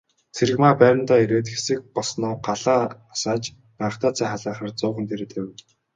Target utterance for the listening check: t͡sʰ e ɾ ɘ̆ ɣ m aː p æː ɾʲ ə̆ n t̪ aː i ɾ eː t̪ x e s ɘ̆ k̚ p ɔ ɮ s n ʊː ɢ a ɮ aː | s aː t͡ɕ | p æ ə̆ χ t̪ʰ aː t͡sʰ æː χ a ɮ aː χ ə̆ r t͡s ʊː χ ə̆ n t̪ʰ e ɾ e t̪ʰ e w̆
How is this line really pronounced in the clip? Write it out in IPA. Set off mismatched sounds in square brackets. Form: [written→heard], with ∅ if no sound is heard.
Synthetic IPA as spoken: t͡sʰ e ɾ ɘ̆ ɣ m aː p æː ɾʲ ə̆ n t̪ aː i ɾ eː t̪ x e s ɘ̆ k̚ p ɔ ɮ s n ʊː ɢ a ɮ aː | s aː t͡ɕ | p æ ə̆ χ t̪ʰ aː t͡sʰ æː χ a ɮ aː χ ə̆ r t͡s ʊː χ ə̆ n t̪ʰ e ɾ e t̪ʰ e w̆